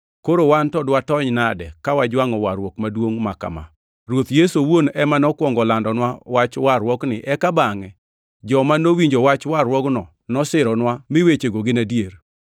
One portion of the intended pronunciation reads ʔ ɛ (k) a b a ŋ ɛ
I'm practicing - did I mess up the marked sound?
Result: no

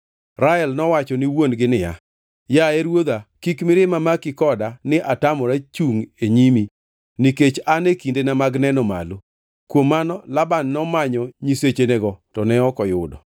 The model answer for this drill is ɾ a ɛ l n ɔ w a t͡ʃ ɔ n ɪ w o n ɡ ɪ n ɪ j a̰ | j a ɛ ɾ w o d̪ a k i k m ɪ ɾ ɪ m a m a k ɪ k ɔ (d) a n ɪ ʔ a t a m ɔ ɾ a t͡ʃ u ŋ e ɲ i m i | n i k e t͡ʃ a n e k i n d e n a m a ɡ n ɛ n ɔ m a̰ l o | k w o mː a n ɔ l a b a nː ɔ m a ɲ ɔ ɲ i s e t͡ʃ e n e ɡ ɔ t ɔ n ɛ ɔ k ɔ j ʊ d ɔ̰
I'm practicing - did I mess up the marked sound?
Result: no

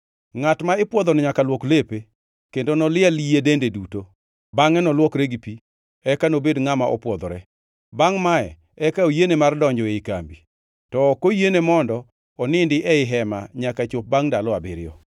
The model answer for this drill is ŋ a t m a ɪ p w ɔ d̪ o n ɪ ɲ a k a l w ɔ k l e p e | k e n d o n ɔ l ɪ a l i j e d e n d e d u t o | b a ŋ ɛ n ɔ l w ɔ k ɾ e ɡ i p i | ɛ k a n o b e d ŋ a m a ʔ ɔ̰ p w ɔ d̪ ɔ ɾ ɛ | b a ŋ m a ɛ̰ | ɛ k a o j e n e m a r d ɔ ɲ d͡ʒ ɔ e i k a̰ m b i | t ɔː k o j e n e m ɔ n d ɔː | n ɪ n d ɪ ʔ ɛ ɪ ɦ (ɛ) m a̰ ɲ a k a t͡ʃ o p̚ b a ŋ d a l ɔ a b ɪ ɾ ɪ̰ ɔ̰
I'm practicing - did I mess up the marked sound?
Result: no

